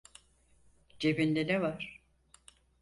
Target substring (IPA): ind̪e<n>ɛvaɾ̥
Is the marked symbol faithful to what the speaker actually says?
yes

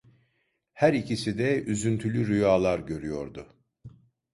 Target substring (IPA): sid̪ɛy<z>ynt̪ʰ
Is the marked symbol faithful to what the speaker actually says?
yes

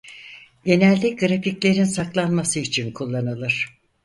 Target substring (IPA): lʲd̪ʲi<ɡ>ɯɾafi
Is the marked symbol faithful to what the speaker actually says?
yes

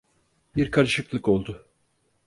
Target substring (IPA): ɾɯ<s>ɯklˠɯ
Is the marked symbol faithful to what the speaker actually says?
no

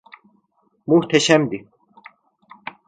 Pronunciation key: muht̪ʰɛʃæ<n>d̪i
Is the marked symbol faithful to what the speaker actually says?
no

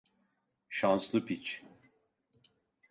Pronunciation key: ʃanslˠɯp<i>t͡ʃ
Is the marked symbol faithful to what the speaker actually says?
yes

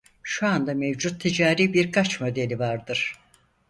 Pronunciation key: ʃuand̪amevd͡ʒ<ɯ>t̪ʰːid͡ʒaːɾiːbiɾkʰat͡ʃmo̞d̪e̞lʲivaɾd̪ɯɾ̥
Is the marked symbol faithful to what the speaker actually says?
no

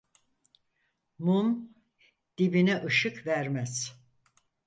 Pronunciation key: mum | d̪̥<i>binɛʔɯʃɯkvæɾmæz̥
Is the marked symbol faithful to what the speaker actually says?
yes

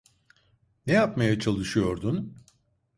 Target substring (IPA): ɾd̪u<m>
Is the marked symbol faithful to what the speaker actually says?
no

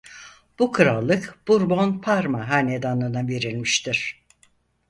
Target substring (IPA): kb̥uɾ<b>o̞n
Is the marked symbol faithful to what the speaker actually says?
yes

